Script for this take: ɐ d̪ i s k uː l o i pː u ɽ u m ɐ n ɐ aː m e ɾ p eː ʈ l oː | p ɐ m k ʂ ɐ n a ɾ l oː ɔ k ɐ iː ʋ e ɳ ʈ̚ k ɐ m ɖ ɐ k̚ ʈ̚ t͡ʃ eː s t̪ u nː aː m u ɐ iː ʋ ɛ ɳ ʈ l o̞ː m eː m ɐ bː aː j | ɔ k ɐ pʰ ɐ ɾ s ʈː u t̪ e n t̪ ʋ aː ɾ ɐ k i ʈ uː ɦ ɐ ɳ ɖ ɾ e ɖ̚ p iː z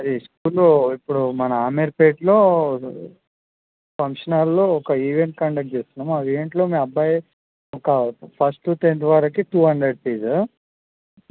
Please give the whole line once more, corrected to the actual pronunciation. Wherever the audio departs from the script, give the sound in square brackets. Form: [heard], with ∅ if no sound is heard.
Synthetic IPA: ɐ d̪ i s k uː l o i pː u ɽ u m ɐ n ɐ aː m e ɾ p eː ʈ l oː | p ɐ [ŋ] k ʂ ɐ n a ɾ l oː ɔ k ɐ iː ʋ e ɳ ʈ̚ k ɐ [ɳ] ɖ ɐ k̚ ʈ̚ t͡ʃ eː s t̪ u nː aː m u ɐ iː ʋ [e] ɳ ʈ l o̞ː m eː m ɐ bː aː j | ɔ k ɐ pʰ ɐ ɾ s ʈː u t̪ e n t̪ ʋ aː ɾ ɐ k i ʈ uː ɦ ɐ ɳ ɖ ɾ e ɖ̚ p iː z